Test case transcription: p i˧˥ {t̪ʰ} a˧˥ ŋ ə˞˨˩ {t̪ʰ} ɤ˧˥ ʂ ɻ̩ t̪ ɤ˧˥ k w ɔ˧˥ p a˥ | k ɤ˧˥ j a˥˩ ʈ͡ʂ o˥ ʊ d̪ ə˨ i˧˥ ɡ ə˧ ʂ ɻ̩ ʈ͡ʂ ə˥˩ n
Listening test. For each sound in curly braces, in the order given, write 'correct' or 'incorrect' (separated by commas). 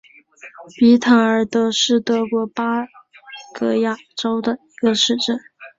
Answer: correct, incorrect